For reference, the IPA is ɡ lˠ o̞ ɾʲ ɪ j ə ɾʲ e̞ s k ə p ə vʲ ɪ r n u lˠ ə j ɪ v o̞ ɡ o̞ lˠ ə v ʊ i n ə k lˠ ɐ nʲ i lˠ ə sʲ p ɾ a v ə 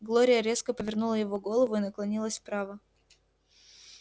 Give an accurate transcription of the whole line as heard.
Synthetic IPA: ɡ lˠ o̞ ɾʲ ɪ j ə ɾʲ e̞ s k ə p ə vʲ ɪ r n u lˠ ə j ɪ v o̞ ɡ o̞ lˠ ə v ʊ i n ə k lˠ ɐ nʲ i lˠ ə sʲ p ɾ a v ə